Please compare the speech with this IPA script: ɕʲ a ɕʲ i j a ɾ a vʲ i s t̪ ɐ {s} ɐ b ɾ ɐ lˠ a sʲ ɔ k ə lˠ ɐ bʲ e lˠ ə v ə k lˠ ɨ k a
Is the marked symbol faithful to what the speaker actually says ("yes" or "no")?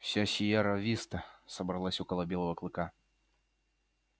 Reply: yes